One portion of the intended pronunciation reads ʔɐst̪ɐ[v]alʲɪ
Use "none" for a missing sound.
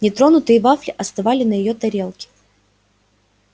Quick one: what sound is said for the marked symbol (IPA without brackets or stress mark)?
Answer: v